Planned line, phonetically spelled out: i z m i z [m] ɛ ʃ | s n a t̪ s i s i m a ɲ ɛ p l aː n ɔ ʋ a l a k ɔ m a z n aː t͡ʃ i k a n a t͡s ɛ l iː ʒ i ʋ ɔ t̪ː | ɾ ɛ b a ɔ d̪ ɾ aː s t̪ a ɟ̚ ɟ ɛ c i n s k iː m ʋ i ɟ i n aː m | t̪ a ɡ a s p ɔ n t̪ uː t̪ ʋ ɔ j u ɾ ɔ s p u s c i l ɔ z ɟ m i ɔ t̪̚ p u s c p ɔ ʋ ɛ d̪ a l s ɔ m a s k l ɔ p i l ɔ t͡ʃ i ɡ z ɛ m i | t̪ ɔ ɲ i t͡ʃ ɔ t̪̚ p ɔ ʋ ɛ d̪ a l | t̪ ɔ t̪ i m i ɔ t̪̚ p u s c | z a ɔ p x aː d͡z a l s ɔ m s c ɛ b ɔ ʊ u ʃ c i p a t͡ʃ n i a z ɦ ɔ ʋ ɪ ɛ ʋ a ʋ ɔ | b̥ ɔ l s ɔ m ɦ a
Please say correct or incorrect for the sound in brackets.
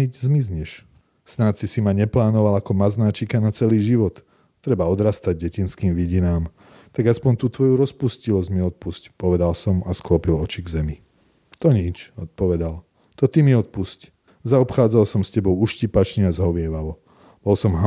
incorrect